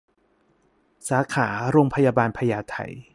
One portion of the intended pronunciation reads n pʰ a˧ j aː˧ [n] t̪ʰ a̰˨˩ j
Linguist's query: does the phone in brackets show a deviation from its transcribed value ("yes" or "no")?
yes